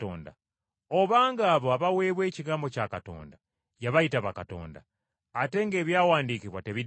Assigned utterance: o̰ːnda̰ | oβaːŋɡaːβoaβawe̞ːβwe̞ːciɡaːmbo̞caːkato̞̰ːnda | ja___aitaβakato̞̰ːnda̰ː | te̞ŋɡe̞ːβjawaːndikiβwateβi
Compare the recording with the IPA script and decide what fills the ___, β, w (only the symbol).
β